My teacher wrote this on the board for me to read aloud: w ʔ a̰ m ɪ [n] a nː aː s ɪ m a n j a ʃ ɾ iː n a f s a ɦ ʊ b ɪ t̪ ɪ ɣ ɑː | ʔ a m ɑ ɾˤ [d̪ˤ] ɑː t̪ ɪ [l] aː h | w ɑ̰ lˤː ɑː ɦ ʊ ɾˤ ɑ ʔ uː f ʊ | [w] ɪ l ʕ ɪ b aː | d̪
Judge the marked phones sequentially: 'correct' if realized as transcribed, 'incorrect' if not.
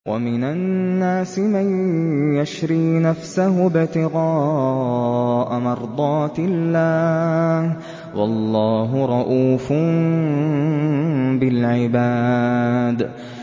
correct, correct, incorrect, incorrect

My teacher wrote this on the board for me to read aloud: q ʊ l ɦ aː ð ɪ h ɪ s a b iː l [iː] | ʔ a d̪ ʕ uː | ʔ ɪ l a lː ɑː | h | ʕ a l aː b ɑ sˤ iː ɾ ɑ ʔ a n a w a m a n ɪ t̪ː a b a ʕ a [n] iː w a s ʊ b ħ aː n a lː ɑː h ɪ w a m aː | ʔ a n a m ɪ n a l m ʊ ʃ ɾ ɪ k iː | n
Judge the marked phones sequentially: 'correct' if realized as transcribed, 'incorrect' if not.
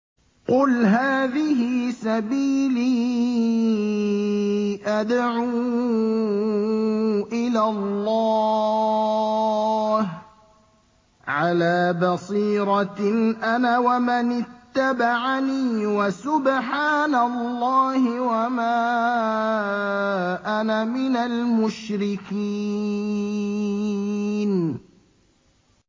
correct, correct

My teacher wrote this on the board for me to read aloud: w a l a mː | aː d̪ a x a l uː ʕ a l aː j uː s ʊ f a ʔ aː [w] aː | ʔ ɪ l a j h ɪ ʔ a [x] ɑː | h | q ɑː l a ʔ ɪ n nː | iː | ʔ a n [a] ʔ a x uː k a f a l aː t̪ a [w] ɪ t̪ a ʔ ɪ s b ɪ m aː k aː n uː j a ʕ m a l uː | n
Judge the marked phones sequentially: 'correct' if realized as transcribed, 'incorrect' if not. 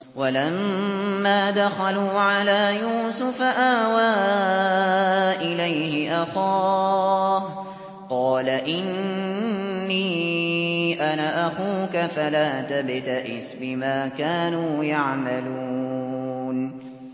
correct, correct, correct, incorrect

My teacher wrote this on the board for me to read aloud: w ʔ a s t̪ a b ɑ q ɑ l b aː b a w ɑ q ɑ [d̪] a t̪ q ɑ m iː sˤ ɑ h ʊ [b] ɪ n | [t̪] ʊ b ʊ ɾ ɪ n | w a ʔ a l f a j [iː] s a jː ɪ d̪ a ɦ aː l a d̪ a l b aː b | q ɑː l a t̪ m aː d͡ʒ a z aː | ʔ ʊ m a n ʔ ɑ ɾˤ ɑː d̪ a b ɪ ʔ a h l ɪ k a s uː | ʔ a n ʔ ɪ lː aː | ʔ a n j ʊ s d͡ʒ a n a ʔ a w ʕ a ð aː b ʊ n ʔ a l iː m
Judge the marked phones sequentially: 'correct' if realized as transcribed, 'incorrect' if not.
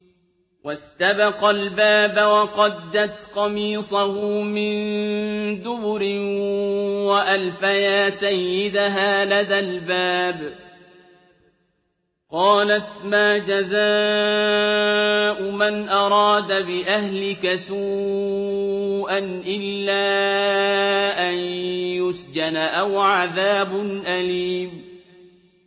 incorrect, incorrect, incorrect, incorrect

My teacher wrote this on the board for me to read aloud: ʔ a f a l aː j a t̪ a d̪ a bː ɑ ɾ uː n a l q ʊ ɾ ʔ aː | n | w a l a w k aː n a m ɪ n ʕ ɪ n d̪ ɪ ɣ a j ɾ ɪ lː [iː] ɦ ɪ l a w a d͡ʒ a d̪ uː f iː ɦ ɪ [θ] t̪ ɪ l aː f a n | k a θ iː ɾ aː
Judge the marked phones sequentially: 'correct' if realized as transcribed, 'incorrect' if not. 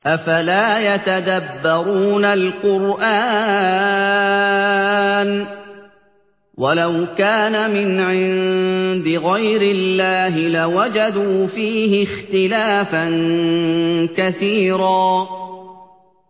incorrect, incorrect

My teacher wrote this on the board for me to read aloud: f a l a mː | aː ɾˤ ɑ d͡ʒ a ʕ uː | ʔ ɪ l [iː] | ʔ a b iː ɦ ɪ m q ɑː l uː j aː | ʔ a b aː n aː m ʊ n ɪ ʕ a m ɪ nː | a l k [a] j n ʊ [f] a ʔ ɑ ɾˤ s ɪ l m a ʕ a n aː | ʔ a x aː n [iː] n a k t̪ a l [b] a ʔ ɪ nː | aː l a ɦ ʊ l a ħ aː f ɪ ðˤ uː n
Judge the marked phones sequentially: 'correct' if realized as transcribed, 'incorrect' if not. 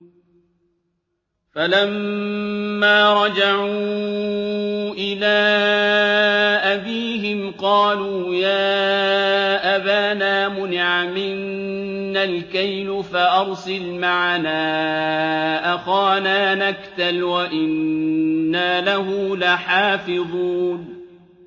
incorrect, correct, correct, incorrect, incorrect

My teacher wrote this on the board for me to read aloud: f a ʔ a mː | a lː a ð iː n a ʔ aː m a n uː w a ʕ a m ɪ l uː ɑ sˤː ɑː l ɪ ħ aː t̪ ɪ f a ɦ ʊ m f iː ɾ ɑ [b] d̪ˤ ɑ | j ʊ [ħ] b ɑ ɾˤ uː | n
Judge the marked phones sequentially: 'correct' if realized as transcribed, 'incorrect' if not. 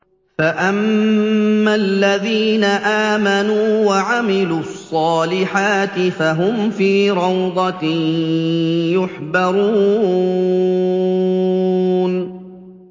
incorrect, correct

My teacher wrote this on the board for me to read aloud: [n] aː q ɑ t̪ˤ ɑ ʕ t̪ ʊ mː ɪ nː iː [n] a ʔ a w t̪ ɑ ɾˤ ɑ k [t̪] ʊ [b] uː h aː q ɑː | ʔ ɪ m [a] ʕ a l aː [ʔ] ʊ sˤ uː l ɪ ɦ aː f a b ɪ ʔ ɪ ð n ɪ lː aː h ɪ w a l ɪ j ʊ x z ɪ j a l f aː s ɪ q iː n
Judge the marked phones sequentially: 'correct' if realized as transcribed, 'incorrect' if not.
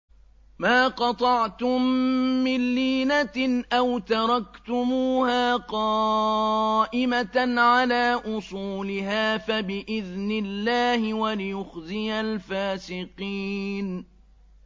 incorrect, correct, correct, incorrect, correct, correct

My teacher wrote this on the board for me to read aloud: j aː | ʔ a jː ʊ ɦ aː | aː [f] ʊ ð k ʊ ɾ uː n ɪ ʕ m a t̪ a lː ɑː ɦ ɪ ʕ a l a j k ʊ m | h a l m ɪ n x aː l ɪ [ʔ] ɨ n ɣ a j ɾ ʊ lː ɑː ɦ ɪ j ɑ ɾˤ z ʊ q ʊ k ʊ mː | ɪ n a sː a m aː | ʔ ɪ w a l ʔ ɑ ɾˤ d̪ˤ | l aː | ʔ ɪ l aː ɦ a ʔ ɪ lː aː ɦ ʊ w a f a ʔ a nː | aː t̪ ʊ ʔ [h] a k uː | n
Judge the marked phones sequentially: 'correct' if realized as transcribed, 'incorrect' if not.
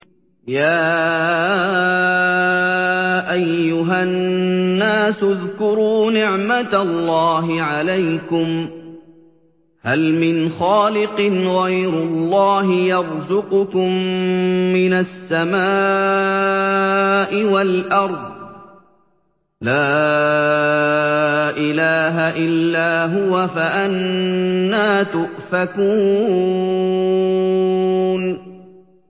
incorrect, incorrect, incorrect

